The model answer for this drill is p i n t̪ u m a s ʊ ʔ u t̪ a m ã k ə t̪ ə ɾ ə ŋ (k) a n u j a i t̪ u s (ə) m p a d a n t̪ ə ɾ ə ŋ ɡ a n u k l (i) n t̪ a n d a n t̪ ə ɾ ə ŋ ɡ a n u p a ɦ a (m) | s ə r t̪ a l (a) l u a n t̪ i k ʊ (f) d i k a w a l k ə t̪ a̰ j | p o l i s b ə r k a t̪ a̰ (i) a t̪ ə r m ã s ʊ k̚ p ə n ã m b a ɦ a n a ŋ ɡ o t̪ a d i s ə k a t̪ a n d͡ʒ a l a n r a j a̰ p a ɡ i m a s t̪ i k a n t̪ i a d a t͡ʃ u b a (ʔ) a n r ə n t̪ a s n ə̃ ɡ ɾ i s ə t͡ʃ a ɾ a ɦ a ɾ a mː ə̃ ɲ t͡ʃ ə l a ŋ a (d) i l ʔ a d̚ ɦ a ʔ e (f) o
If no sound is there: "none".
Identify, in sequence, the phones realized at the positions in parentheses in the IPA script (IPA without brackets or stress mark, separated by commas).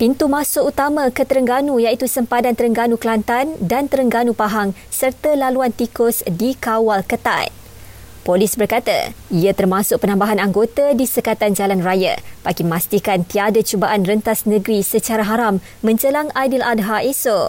ɡ, ə, a, ŋ, a, s, i, ʔ, d, s